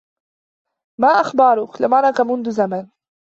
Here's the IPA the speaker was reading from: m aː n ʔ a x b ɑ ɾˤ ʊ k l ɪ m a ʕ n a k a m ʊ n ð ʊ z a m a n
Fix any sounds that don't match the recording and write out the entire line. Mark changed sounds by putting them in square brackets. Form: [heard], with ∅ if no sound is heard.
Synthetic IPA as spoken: m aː [∅] ʔ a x b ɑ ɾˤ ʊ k l ɪ m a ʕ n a k a m ʊ n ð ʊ z a m a n